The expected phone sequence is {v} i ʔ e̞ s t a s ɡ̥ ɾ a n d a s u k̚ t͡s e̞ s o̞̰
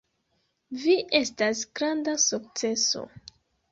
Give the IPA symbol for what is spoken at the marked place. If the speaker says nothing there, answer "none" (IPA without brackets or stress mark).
v